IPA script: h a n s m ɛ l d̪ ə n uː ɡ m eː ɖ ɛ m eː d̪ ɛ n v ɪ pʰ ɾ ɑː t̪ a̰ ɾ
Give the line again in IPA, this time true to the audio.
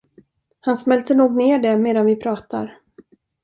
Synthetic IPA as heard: h a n s m ɛ l t̪ ə n uː ɡ n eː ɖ ɛ m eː d̪ a n v ɪ pʰ ɾ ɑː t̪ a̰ ɾ